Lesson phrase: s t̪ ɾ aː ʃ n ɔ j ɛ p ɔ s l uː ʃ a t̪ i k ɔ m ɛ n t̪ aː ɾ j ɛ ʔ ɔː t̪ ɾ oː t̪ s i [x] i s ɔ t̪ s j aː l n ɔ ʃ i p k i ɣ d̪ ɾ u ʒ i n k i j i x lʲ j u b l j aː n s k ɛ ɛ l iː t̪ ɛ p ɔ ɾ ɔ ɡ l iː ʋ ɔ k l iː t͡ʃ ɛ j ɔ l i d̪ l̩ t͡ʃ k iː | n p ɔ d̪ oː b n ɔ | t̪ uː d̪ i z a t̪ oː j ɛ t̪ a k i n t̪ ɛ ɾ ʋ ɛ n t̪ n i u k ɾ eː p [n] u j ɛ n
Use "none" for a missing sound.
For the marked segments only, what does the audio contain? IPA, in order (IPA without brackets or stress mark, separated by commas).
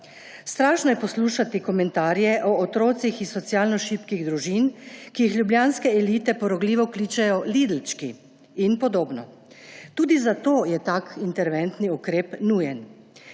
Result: x, n